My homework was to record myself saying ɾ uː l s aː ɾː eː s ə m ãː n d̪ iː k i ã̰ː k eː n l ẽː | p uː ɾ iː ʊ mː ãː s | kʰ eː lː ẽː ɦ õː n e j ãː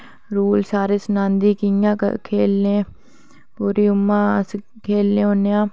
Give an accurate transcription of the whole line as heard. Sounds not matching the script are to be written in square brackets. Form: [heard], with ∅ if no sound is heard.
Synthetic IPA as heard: ɾ uː l s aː [ɾ] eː s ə [n] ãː n d̪ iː k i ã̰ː [kʰ] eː [∅] l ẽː | p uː ɾ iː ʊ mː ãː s | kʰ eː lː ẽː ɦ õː n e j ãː